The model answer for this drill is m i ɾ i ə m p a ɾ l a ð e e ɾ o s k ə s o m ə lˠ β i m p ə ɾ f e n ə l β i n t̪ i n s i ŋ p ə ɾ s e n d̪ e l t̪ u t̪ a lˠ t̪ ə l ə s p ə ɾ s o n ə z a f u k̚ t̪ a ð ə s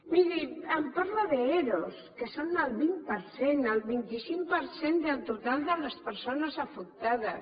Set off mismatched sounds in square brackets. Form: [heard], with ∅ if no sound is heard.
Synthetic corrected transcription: m i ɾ i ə m p a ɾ l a ð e e ɾ o s k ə s o [n] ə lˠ β i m p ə ɾ [s] e n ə l β i n t̪ i [∅] s i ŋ p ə ɾ s e n d̪ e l t̪ u t̪ a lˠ [d̪] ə l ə s p ə ɾ s o n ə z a f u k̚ t̪ a ð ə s